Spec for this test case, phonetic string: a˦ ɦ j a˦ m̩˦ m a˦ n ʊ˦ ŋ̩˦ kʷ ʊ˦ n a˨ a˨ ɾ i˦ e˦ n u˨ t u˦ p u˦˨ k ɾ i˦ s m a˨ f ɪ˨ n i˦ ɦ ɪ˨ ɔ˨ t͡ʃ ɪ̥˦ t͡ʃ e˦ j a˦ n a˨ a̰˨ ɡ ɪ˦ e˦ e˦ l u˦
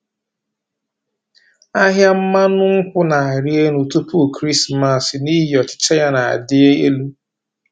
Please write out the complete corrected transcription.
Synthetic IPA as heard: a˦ ɦ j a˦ m̩˦ m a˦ n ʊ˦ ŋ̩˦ kʷ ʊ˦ n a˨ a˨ ɾ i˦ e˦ n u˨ t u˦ p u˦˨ k ɾ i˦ s m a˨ s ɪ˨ n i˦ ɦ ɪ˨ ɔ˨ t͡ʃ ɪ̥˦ t͡ʃ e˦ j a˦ n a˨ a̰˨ d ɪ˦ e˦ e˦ l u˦